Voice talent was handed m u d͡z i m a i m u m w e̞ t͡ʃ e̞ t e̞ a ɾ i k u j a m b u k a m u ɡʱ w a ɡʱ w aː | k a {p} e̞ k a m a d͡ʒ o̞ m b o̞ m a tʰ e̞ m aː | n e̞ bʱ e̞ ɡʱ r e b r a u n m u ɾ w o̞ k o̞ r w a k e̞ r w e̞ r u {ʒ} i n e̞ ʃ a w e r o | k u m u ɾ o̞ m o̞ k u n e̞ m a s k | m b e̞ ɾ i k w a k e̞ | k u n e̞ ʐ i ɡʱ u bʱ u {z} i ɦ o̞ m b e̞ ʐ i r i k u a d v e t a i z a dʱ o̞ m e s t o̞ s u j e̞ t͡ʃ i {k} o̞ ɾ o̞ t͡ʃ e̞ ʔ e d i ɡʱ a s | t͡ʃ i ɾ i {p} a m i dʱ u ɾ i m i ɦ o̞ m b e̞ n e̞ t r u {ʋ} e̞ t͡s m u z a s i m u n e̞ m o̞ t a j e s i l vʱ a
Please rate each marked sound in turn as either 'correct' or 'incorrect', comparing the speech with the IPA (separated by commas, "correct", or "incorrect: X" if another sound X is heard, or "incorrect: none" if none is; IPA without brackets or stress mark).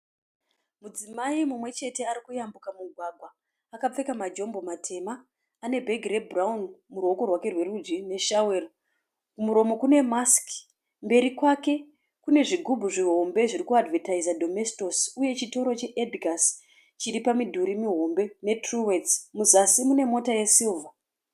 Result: incorrect: p͡f, incorrect: d͡ʒ, incorrect: ʐ, incorrect: t, correct, incorrect: w